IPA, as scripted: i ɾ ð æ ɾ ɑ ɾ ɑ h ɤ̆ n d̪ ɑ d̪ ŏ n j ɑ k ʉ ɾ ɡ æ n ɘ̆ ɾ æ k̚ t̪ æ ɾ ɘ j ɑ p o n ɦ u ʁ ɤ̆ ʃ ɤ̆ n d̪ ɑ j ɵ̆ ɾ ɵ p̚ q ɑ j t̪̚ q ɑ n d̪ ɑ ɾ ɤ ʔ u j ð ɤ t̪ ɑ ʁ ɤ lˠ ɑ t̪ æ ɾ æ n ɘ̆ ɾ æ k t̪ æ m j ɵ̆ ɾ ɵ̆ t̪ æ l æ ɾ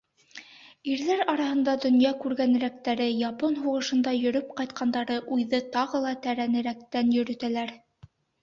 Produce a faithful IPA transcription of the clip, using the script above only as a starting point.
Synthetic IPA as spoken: i ɾ ð æ ɾ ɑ ɾ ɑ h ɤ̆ n d̪ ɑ d̪ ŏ n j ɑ k ʉ ɾ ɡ æ n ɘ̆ ɾ æ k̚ t̪ æ ɾ ɘ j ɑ p o n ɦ u ʁ ɤ̆ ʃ ɤ̆ n d̪ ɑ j ɵ̆ ɾ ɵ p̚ q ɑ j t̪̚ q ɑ n d̪ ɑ ɾ ɤ ʔ u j ð ɤ t̪ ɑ ʁ ɤ lˠ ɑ t̪ æ ɾ æ n ɘ̆ ɾ æ k t̪ æ n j ɵ̆ ɾ ɵ̆ t̪ æ l æ ɾ